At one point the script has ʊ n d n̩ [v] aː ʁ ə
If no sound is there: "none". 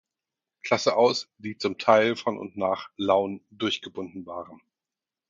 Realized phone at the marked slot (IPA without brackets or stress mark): v